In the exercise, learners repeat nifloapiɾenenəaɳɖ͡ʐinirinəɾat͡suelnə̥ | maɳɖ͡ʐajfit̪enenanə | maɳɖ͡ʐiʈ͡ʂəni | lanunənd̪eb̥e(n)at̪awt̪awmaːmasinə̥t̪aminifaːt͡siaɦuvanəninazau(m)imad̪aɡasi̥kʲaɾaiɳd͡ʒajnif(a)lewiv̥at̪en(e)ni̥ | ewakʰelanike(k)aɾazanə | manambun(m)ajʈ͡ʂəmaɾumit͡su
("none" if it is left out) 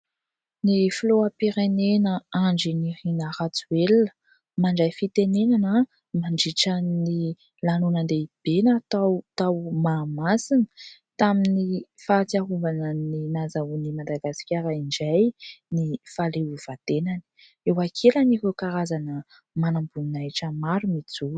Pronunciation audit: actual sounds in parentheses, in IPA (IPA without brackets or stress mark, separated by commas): n, n, a, a, k, n